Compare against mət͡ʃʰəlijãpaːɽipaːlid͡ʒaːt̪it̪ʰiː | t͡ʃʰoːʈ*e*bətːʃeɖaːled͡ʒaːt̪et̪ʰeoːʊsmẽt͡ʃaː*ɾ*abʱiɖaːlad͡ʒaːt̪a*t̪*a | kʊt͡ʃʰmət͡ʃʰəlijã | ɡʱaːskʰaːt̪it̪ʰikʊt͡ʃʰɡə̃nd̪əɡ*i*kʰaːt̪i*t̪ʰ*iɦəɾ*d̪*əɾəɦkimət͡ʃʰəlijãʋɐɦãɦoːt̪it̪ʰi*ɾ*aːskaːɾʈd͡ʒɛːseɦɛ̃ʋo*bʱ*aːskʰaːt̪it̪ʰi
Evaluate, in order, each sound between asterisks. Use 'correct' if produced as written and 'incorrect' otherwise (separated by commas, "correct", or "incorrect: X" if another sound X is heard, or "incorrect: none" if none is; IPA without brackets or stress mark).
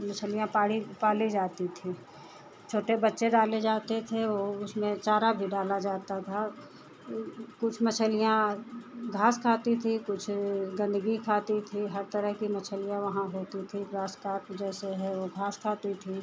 correct, correct, incorrect: t̪ʰ, correct, correct, incorrect: t̪, correct, incorrect: ɡʱ